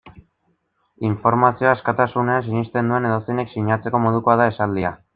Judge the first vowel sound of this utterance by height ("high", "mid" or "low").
high